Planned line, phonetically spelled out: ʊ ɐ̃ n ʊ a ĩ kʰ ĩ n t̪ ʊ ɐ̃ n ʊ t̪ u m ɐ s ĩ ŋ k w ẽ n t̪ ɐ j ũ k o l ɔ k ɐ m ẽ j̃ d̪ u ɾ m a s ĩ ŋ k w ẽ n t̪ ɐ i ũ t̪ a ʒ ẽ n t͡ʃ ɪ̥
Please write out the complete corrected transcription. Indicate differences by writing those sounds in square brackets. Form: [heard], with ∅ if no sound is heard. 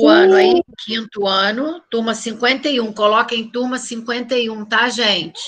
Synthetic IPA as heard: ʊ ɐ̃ n ʊ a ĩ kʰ ĩ n t̪ ʊ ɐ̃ n ʊ t̪ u m ɐ s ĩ ŋ k w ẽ n t̪ ɐ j ũ k o l ɔ k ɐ [∅] ẽ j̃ [t̪] u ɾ m [ɐ] s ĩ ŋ k w ẽ n t̪ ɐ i ũ t̪ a ʒ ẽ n t͡ʃ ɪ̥